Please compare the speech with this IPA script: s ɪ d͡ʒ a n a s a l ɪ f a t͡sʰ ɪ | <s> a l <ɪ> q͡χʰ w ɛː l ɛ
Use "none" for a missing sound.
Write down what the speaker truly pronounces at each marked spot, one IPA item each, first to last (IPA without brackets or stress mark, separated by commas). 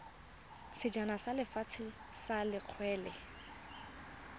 s, ɪ